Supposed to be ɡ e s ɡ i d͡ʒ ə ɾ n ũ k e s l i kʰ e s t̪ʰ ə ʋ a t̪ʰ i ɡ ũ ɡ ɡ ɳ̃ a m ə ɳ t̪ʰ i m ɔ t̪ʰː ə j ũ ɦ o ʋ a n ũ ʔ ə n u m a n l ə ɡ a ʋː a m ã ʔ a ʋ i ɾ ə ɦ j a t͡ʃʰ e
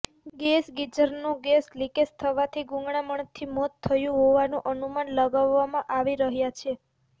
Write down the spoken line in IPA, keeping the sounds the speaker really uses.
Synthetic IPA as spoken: ɡ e s ɡ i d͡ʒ ə ɾ n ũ ɡ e s l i k e s t̪ʰ ə ʋ a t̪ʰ i ɡ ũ ŋ ɡ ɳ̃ a m ə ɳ t̪ʰ i m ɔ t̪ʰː ə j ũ ɦ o ʋ a n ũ ʔ ə n u m a n l ə ɡ a ʋː a m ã ʔ a ʋ i ɾ ə ɦ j a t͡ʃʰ e